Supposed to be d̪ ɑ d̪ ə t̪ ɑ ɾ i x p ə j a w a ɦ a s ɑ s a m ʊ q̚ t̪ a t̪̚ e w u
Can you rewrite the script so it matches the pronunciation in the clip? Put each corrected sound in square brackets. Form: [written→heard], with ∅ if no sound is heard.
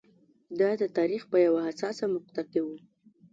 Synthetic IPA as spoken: d̪ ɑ d̪ ə t̪ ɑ ɾ i x p ə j a w a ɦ a s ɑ s a m ʊ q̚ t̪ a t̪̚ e w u